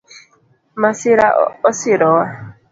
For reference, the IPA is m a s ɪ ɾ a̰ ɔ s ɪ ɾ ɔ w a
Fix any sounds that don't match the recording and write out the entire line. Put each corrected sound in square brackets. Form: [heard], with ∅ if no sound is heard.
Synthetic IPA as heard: m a s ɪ ɾ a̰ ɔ s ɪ ɾ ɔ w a